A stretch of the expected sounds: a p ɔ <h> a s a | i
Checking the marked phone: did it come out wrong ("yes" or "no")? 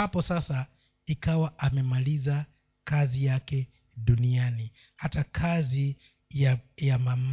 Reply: yes